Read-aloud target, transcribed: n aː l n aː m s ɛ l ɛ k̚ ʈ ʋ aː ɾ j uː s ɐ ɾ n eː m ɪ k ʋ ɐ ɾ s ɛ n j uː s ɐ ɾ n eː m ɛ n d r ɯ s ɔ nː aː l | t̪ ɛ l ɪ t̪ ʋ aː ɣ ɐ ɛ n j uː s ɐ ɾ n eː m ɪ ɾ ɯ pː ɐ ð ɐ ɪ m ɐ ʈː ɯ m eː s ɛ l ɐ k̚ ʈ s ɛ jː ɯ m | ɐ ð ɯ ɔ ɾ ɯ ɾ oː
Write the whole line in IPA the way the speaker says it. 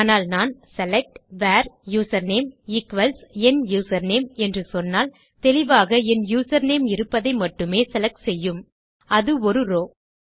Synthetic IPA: n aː l n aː n s ɛ l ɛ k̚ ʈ ʋ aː ɾ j uː s ɐ ɾ n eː m ɪ k ʋ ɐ l s ɛ n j uː s ɐ ɾ n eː m ɛ n d r ɯ s ɔ nː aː l | t̪ ɛ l ɪ ʋ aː ɣ ɐ ɛ n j uː s ɐ ɾ n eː m ɪ ɾ ɯ pː ɐ ð ɐ ɪ m ɐ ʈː ɯ m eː s ɛ l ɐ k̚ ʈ s ɛ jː ɯ m | ɐ ð ɯ ɔ ɾ ɯ ɾ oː